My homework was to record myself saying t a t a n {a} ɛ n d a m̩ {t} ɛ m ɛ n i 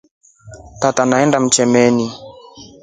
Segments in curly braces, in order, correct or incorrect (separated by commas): correct, incorrect